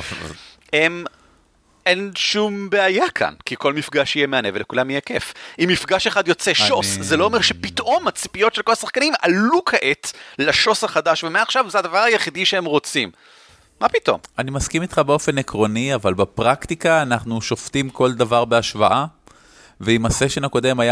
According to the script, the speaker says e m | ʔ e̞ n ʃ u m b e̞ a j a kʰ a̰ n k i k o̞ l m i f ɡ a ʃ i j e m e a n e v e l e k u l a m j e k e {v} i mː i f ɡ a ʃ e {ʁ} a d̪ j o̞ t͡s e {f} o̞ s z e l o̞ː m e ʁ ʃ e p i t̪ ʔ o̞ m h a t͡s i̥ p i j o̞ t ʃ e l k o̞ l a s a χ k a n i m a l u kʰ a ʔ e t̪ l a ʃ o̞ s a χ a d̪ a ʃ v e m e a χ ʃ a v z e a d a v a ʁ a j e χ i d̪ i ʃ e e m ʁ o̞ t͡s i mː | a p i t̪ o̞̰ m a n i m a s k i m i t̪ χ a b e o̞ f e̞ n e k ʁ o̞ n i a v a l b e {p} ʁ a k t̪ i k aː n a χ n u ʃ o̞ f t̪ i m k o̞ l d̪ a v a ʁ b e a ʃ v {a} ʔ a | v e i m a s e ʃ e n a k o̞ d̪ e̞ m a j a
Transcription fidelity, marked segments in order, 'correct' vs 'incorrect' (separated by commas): incorrect, incorrect, incorrect, correct, correct